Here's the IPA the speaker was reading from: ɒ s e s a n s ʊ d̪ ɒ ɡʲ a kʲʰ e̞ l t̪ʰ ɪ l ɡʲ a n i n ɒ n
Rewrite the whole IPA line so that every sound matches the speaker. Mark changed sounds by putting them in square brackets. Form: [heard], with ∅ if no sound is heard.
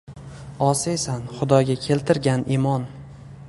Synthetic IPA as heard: ɒ s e s a n [χ] ʊ d̪ ɒ ɡʲ a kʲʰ e̞ l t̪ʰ ɪ [ɾ] ɡʲ a n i [m] ɒ n